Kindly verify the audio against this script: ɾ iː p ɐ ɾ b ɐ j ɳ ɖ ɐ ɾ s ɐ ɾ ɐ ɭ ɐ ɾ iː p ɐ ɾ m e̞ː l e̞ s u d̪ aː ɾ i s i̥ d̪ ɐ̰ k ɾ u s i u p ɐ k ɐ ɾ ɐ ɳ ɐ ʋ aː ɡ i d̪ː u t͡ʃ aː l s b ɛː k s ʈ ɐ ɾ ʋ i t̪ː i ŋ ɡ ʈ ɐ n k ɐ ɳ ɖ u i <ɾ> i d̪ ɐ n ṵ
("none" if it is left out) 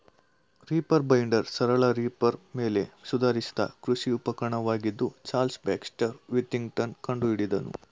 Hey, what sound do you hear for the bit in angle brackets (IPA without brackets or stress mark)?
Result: ɽ